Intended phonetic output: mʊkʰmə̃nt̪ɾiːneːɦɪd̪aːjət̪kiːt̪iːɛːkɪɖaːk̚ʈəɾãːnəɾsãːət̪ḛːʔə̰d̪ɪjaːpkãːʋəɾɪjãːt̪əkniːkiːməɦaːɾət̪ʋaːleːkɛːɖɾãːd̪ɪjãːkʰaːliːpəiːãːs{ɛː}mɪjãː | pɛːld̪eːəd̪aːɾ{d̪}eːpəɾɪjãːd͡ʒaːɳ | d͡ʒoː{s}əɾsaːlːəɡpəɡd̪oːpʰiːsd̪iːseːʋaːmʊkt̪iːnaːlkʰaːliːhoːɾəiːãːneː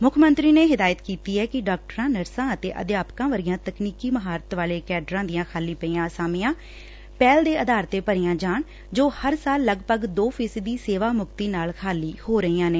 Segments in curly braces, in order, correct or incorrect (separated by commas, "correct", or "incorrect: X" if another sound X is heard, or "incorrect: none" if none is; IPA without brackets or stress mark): incorrect: aː, incorrect: t̪, incorrect: h